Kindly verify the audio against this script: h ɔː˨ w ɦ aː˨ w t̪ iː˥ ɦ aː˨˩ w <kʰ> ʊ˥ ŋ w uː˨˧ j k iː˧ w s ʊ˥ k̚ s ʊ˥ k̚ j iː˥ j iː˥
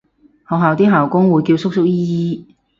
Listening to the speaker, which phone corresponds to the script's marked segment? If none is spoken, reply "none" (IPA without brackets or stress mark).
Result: k